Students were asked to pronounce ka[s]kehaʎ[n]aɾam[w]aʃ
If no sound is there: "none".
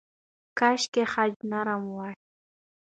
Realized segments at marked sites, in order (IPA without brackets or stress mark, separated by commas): ʃ, n, w